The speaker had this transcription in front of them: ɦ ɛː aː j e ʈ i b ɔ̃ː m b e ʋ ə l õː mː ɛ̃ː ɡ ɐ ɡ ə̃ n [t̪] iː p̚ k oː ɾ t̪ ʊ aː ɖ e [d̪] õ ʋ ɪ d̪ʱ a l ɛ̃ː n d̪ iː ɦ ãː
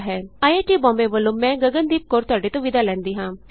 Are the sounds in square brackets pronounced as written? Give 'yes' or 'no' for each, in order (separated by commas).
no, no